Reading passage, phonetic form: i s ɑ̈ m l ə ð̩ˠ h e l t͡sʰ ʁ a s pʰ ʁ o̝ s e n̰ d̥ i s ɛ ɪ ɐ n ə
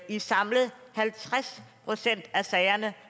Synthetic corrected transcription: i s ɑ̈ m l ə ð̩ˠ h æ l t͡sʰ ʁ a s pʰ ʁ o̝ s e n̰ d̥ æ s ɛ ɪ ɐ n ə